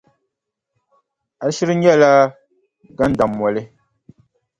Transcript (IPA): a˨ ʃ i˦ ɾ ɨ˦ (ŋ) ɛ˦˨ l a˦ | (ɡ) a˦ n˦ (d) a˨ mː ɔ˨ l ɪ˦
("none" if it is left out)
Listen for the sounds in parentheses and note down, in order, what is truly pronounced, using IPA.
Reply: ɲ, ɡ, d

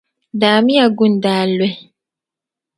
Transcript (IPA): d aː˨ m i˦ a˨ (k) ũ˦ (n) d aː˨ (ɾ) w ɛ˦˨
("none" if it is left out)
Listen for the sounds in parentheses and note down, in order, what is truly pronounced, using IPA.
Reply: ɡ, n, l

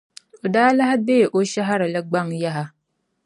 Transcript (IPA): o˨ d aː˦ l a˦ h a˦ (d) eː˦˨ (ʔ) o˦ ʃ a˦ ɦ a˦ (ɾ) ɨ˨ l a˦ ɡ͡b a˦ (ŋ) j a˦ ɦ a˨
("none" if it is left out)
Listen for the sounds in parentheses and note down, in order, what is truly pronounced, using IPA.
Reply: b, ʔ, ɾ, ŋ

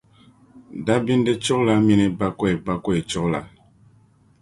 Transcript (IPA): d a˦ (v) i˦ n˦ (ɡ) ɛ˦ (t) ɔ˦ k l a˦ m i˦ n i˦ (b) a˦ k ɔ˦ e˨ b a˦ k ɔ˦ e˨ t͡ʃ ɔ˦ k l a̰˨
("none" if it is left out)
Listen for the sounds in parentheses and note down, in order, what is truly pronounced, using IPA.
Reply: b, d, t͡ʃ, b

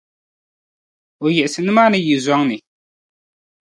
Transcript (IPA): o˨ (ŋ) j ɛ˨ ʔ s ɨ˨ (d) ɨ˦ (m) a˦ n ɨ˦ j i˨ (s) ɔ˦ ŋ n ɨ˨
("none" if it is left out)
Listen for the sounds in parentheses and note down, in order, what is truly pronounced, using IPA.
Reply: none, n, m, z

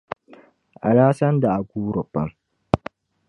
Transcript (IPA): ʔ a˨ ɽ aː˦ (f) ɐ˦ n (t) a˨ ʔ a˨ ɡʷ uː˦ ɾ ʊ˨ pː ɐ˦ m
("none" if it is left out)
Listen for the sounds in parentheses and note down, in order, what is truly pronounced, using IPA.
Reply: s, d

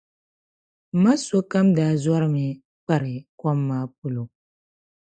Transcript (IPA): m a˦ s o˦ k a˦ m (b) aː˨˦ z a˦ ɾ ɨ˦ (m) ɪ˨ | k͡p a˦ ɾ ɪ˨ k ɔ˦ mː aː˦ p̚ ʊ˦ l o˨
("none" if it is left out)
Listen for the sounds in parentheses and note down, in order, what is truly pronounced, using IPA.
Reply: d, m

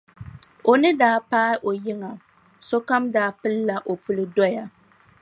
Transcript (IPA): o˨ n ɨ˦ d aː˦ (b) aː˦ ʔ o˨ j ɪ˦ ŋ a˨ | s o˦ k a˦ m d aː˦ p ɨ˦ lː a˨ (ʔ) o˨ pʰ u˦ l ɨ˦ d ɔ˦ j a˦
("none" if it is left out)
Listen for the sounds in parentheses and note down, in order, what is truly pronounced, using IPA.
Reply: p, ʔ

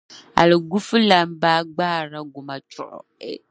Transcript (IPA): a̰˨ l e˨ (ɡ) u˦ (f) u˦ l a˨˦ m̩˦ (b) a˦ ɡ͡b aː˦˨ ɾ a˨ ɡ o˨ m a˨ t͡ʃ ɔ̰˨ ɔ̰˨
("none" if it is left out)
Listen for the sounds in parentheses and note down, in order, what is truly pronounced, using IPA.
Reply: ɡ, f, b

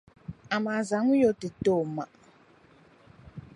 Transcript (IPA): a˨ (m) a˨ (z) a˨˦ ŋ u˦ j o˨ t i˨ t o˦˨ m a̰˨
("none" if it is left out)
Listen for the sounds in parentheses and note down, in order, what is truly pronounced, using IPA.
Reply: m, z

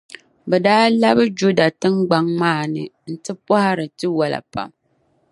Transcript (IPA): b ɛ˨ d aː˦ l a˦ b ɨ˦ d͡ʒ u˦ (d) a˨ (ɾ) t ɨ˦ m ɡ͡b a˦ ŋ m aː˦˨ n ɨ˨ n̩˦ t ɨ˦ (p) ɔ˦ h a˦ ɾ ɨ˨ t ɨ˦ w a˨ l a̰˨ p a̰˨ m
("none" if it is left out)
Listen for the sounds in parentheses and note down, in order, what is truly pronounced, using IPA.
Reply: d, none, p

